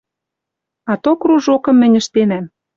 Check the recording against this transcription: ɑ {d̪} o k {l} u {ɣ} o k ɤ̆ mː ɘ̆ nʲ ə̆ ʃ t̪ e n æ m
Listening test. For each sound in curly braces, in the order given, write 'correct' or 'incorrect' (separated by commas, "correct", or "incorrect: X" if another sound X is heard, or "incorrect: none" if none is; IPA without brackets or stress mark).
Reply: incorrect: t̪, incorrect: r, incorrect: ʒ